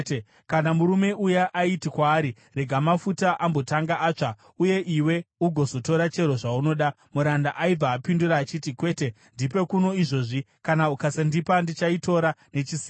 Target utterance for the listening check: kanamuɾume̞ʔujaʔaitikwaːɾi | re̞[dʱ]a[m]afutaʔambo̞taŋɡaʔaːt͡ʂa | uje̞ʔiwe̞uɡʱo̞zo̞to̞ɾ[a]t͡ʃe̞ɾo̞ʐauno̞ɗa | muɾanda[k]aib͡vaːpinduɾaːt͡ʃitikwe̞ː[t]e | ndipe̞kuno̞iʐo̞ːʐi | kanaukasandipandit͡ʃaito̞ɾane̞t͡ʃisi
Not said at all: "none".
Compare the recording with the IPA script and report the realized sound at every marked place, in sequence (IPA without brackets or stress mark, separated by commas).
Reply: ɡʱ, m, a, ʔ, t